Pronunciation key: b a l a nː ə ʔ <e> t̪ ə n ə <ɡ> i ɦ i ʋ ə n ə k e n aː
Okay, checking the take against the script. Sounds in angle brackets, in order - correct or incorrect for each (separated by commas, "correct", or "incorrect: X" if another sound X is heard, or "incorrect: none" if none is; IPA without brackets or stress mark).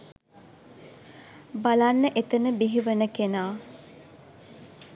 correct, incorrect: b